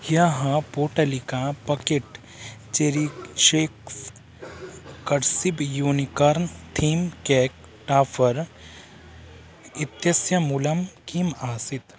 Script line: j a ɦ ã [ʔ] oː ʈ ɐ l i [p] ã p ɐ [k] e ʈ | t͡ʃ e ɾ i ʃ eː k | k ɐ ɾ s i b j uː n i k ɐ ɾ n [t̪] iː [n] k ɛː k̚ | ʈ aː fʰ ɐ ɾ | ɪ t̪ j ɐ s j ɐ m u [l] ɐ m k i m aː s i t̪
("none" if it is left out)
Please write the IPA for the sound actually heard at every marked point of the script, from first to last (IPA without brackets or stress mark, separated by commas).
p, k, k, t̪ʰ, m, l